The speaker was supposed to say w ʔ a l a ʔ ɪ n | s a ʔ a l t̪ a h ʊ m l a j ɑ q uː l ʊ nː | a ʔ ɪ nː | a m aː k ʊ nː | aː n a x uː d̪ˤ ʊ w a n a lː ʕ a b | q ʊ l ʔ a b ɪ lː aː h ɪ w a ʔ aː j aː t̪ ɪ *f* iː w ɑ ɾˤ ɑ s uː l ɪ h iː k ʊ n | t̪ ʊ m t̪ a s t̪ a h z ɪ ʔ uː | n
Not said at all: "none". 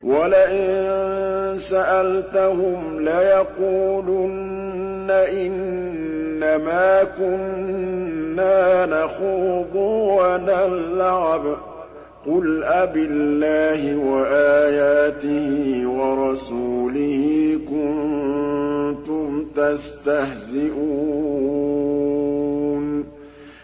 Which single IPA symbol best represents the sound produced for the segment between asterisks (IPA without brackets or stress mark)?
h